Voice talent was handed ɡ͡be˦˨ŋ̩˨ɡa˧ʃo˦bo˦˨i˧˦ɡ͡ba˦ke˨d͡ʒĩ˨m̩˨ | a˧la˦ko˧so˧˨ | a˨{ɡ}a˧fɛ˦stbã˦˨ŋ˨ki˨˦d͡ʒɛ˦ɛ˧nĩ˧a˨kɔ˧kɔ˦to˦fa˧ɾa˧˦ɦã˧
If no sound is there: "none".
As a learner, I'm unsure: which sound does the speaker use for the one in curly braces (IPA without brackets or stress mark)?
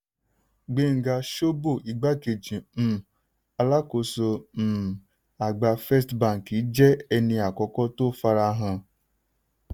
ɡ͡b